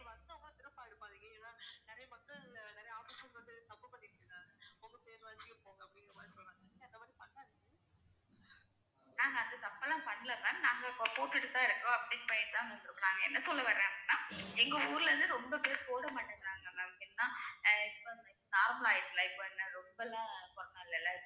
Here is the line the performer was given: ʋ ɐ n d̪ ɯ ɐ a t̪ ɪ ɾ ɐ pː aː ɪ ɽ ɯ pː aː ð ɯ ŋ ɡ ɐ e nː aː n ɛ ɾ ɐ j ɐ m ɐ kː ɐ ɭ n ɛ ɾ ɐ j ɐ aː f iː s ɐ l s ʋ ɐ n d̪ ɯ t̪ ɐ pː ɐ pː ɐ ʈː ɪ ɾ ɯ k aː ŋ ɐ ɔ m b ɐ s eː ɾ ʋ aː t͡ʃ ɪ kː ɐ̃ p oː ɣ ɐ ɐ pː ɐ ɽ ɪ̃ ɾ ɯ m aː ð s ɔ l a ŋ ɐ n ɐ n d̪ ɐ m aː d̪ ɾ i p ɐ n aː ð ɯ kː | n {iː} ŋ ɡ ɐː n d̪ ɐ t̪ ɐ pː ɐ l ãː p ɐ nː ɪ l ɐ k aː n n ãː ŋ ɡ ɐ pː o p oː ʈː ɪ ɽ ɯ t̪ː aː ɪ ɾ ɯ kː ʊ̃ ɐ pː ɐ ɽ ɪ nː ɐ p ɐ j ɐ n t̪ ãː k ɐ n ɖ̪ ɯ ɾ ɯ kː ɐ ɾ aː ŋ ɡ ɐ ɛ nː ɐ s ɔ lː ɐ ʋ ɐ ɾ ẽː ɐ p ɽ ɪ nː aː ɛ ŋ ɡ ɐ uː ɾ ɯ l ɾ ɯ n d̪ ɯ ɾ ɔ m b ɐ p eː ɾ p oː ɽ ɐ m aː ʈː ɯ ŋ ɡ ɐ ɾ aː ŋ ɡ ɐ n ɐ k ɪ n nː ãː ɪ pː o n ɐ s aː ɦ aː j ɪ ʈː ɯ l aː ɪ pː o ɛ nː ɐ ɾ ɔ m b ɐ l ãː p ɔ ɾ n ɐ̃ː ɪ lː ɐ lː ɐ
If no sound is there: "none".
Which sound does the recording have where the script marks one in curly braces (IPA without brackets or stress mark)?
aː